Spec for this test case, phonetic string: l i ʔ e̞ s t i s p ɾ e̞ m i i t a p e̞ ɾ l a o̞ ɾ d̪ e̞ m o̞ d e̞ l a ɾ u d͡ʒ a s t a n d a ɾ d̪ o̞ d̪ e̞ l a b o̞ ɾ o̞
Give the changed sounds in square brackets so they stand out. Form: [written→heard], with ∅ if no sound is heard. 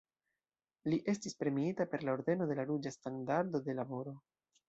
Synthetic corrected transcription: l i ʔ e̞ s t i s p ɾ e̞ m i i t a p e̞ ɾ l a o̞ ɾ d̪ e̞ [m→n] o̞ d e̞ l a ɾ u d͡ʒ a s t a n d a ɾ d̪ o̞ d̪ e̞ l a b o̞ ɾ o̞